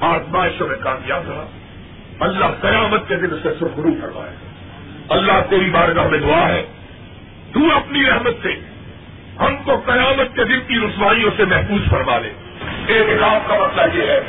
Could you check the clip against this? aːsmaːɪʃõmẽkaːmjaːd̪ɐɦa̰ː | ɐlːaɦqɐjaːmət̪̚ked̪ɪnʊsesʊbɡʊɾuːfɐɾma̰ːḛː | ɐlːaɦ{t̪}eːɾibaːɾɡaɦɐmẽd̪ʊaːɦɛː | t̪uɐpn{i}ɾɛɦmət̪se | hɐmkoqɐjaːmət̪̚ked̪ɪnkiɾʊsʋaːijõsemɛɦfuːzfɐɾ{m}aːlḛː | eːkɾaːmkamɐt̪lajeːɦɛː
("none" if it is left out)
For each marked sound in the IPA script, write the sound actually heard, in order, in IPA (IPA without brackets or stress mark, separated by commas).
t̪, i, m